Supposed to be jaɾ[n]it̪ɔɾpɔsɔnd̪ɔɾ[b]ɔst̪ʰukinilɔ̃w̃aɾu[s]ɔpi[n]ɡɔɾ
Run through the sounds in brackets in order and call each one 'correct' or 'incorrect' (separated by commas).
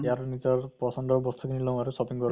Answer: correct, correct, correct, incorrect